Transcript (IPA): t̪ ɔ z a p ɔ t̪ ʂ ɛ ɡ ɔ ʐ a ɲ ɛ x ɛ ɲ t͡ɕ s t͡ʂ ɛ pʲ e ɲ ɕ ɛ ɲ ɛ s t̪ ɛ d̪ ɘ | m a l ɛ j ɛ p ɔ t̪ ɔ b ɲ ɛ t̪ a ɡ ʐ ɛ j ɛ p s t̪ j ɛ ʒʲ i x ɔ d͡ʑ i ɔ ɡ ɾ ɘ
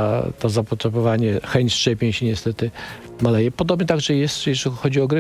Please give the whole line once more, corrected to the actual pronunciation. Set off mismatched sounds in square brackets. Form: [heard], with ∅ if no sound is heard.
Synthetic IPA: t̪ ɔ z a p ɔ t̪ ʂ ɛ [b] ɔ [v] a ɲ ɛ x ɛ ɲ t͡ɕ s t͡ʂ ɛ pʲ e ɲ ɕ ɛ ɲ ɛ s t̪ ɛ [t̪] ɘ | m a l ɛ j ɛ p ɔ [d̪] ɔ b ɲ ɛ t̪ a ɡ ʐ ɛ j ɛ [∅] s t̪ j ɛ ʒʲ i x ɔ d͡ʑ i ɔ ɡ ɾ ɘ